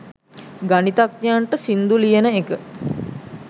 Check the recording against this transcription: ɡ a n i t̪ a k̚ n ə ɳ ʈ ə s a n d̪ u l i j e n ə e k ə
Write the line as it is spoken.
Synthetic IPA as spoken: ɡ a n i t̪ a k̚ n a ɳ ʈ ə s i n d̪ u l i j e n ə e k ə